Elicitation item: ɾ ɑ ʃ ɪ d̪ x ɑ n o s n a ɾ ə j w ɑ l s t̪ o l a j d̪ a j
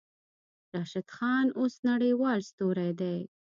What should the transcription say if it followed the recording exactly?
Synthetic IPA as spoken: ɾ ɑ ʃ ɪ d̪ x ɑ n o s n a ɽ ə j w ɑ l s t̪ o ɾ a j d̪ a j